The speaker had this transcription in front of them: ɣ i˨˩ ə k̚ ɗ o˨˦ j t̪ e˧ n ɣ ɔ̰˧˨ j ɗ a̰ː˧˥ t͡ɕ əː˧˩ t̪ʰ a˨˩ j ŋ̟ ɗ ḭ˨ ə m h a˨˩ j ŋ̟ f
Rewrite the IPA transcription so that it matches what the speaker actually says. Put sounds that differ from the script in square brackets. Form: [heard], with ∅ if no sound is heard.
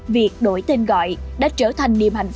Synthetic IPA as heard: [v] i˨˩ ə k̚ ɗ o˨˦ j t̪ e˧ n ɣ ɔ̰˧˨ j ɗ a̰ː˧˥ t͡ɕ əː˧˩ t̪ʰ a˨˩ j ŋ̟ ɗ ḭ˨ ə m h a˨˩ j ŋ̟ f